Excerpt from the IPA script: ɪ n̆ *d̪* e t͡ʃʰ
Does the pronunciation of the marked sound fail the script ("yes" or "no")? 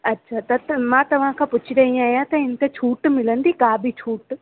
yes